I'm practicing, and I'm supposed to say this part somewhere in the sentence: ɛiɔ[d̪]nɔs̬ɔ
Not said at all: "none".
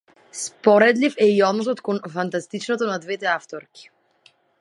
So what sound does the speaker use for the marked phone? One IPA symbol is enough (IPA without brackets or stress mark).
d̪